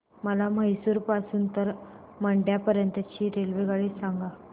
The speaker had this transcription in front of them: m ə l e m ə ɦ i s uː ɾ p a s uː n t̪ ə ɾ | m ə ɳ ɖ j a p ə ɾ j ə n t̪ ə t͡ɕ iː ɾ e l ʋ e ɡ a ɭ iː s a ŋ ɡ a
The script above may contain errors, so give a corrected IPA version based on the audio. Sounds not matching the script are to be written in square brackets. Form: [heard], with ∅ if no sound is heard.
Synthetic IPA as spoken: m ə l [a] m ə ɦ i s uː ɾ p a s uː n t̪ ə ɾ | m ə ɳ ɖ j a p ə ɾ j ə n t̪ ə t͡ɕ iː ɾ e l ʋ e ɡ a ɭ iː s a ŋ ɡ a